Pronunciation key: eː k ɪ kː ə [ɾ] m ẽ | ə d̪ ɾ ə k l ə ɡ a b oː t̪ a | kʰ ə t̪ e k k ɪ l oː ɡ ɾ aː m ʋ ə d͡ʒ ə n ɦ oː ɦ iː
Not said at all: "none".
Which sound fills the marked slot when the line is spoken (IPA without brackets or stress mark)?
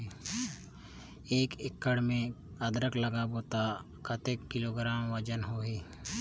ɽ